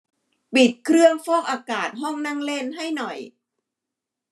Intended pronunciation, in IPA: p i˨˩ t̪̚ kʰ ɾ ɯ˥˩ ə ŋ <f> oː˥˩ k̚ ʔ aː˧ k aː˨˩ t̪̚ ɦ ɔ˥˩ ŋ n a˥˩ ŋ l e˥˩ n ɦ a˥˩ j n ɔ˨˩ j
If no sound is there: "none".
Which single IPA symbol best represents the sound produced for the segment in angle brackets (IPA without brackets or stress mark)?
f